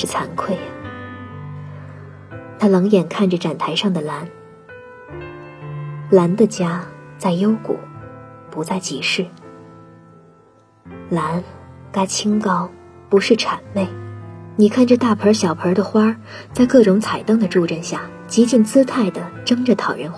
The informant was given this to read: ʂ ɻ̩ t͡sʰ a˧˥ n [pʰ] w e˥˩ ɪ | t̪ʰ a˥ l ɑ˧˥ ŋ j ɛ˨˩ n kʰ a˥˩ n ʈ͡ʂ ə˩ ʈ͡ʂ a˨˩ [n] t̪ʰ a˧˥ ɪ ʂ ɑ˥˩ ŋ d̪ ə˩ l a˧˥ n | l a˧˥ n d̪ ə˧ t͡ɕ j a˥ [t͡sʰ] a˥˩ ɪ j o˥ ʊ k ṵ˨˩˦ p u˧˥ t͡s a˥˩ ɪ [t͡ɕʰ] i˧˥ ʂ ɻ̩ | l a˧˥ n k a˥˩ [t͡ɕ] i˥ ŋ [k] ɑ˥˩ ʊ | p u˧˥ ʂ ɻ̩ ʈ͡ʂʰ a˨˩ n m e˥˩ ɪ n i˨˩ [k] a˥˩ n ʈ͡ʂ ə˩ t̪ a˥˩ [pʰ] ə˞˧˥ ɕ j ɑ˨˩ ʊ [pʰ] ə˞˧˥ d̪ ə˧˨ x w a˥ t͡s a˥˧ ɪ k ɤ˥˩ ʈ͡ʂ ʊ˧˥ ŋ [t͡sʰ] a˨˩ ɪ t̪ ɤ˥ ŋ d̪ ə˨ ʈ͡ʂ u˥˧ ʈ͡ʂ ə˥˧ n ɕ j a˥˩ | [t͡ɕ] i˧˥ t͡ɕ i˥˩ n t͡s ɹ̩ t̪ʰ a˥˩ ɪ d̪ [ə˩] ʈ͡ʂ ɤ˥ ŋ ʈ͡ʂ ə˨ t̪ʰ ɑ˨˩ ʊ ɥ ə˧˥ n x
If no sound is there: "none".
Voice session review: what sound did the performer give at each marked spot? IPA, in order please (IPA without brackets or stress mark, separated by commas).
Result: kʰ, n, t͡s, t͡ɕ, t͡ɕʰ, k, kʰ, pʰ, pʰ, t͡sʰ, t͡ɕ, ə˩